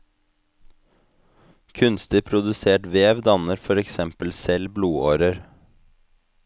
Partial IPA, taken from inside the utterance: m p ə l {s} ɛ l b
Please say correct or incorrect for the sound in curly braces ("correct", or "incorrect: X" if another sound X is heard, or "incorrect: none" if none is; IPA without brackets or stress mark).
correct